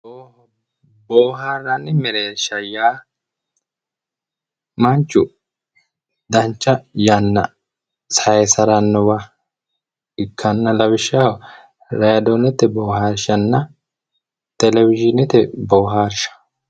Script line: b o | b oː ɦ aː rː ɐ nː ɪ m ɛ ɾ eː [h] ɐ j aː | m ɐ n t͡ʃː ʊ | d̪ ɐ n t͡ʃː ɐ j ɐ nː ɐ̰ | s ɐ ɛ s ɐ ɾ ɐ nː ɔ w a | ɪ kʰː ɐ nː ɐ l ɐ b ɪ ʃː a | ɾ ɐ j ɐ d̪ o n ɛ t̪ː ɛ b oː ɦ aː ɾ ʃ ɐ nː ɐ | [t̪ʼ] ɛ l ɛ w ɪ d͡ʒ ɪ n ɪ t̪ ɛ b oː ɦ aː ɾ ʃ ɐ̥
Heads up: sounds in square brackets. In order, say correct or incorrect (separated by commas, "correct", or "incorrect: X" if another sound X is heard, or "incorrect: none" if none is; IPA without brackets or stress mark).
incorrect: ʃ, incorrect: t̪